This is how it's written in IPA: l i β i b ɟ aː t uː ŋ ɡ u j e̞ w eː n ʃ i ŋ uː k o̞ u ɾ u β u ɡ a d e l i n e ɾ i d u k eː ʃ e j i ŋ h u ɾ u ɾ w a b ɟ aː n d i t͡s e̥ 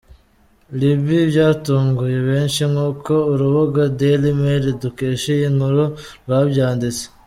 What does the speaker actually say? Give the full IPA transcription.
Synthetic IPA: l i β i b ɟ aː t uː ŋ ɡ u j e̞ β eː n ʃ i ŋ uː k o̞ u ɾ u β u ɡ a d e l i m e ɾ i d u k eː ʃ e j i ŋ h u ɾ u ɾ w a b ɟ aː n d i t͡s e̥